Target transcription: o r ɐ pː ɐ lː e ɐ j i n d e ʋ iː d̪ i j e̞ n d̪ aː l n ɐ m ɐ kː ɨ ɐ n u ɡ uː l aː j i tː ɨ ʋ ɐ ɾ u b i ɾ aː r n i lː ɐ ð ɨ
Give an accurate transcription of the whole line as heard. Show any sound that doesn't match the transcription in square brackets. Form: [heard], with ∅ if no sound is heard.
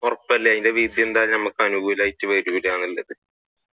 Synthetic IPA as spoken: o r ɐ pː ɐ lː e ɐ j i n d e ʋ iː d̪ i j e̞ n d̪ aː l n ɐ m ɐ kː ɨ ɐ n u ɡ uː l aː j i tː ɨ ʋ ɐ ɾ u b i ɾ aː [∅] n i lː ɐ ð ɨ